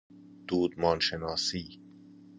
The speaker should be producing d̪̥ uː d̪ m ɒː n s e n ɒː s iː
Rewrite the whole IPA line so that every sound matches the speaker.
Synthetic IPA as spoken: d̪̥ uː d̪ m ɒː n ʃ e n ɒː s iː